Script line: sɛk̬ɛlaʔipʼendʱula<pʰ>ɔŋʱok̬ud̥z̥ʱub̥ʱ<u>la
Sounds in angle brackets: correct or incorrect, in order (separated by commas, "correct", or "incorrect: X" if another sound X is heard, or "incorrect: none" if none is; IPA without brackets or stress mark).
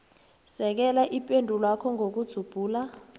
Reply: incorrect: kʰ, incorrect: uː